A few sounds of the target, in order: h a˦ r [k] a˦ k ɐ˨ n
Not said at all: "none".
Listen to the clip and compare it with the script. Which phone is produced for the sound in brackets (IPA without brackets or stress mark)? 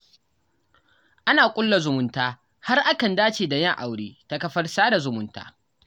ʔ